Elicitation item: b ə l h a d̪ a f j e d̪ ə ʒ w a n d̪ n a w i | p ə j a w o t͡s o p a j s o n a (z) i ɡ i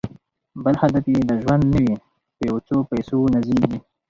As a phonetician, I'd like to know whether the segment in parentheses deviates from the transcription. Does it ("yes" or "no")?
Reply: no